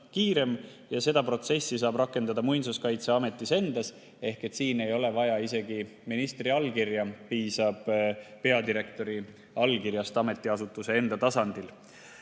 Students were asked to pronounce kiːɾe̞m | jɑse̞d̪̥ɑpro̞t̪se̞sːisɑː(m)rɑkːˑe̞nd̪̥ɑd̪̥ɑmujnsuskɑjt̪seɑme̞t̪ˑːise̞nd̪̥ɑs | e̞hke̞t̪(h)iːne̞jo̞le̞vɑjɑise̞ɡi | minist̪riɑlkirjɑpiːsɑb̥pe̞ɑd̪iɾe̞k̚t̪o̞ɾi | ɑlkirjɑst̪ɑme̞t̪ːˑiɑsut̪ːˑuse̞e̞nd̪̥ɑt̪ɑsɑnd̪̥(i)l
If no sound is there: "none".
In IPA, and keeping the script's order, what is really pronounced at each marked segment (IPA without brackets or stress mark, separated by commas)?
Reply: b, s, i